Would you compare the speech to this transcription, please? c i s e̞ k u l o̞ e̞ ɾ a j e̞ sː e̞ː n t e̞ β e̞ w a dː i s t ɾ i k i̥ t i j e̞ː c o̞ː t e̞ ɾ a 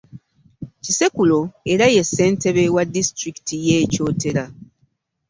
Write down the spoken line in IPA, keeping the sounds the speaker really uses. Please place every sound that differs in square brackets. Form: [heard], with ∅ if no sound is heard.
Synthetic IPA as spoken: c i s e̞ k u l o̞ e̞ ɾ a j e̞ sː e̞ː n t e̞ β e̞ w a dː i s t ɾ i k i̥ t i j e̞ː c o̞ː t e̞ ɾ a

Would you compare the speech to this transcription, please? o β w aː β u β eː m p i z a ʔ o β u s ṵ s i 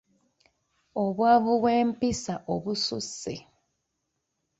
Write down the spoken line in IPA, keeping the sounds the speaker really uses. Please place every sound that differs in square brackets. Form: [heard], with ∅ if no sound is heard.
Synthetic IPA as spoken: o β w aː β u [w] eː m p i [s] a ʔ o β u s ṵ s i

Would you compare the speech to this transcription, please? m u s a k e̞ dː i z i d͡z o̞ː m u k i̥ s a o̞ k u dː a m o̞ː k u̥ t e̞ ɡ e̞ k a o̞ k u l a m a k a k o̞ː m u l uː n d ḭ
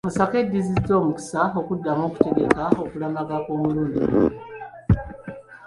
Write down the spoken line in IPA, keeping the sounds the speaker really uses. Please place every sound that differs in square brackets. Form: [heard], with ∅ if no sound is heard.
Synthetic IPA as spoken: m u s a k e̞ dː i z i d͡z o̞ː m u k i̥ s a o̞ k u dː a m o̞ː k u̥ t e̞ ɡ e̞ k a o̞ k u l a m a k a k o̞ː m u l uː n d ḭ

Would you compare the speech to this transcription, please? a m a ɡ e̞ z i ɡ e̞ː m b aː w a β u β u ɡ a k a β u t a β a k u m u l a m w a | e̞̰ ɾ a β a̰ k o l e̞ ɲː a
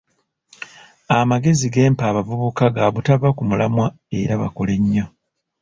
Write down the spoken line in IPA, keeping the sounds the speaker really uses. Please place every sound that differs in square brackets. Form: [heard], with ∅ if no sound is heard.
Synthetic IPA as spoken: a m a ɡ e̞ z i ɡ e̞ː m [p] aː [β] a [v] u β u [k] a [ɡ] a β u t a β a k u m u l a m w a | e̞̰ ɾ a β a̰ k o l e̞ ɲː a

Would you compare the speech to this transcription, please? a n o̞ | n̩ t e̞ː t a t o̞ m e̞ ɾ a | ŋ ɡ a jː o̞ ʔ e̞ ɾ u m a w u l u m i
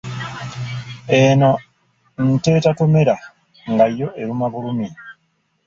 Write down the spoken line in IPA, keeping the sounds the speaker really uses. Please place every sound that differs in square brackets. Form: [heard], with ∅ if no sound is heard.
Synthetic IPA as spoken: [e] n o̞ | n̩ t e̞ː t a t o̞ m e̞ ɾ a | ŋ ɡ a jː o̞ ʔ e̞ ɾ u m a [β] u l u m i

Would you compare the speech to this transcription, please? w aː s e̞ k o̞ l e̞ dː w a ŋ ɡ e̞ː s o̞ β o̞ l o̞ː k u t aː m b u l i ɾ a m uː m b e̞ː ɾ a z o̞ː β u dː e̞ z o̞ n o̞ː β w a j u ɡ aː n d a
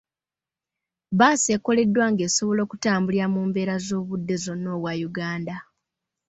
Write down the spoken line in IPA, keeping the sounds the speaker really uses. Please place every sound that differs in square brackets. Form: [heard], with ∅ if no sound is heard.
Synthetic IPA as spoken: [β] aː s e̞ k o̞ l e̞ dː w a ŋ ɡ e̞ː s o̞ β o̞ l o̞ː k u t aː m b u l i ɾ a m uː m b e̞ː ɾ a z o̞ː β u dː e̞ z o̞ n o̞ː β w a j u ɡ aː n d a

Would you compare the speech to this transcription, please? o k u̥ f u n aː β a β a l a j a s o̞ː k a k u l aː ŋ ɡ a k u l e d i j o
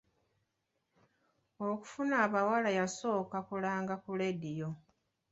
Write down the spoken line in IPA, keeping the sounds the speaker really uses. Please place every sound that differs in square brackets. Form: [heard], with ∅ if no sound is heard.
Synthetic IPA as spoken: o k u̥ f u n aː β a [w] a l a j a s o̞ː k a k u l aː ŋ ɡ a k u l e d i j o

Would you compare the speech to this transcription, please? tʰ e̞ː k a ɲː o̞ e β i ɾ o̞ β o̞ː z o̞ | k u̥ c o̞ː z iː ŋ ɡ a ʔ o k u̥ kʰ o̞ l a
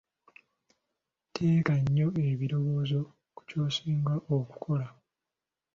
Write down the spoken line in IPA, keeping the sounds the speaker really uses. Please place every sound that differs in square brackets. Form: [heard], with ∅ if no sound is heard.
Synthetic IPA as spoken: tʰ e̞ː k a ɲː o̞ e β i ɾ o̞ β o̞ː z o̞ | k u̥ c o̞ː [s] iː ŋ ɡ a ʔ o k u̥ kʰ o̞ l a

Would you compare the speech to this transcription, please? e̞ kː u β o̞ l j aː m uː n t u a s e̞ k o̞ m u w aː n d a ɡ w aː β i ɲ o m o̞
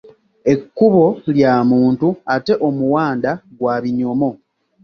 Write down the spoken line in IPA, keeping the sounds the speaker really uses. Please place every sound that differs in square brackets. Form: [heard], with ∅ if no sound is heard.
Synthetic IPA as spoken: e̞ kː u β o̞ l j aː m uː n t u a [t] e̞ [ʔ] o̞ m u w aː n d a ɡ w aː β i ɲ o m o̞

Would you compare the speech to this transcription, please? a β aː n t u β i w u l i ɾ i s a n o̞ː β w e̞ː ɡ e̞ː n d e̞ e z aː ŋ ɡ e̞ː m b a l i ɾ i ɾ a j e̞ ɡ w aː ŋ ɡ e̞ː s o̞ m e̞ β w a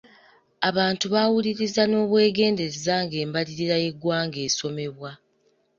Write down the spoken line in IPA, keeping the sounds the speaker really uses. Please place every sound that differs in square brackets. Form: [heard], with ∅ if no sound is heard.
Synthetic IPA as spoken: a β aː n t u β [a] w u l i ɾ i [z] a n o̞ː β w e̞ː ɡ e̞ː n d e̞ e z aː ŋ ɡ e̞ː m b a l i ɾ i ɾ a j e̞ ɡ w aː ŋ ɡ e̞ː s o̞ m e̞ β w a

